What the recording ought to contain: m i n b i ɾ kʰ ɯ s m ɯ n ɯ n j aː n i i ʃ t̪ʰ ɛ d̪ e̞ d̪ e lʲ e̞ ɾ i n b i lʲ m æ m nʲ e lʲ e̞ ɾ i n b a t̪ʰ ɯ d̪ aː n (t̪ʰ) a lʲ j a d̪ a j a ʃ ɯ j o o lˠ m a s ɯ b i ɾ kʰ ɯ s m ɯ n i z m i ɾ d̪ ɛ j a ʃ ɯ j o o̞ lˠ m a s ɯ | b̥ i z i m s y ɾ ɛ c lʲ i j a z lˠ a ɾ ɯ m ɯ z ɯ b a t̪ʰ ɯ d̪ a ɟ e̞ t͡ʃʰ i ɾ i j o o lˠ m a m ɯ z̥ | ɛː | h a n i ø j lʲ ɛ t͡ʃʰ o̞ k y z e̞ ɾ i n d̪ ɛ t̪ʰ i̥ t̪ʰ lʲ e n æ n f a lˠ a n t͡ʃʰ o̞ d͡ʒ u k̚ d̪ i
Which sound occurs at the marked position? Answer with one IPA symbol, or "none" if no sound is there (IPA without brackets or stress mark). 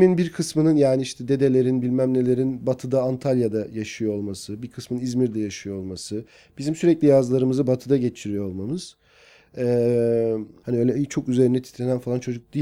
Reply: t̪ʰ